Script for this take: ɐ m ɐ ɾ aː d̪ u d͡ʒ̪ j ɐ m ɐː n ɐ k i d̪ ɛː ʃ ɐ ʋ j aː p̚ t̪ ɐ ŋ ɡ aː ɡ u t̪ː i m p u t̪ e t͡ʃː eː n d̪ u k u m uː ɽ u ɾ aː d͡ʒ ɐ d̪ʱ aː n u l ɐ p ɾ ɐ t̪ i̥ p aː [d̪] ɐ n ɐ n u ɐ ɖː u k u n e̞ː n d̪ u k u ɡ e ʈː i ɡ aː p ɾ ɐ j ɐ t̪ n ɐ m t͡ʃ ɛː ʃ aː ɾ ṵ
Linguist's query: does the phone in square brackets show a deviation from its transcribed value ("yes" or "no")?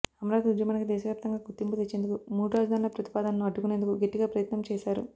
no